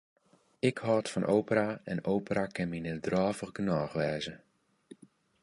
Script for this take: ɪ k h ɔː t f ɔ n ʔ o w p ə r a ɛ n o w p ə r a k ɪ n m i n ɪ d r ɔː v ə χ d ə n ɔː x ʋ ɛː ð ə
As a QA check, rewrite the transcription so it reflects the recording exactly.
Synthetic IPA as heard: ɪ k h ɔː t f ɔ n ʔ o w p ə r a ɛ n o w p ə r a k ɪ n m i n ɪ d r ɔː v ə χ ɡ ə n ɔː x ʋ ɛː z ə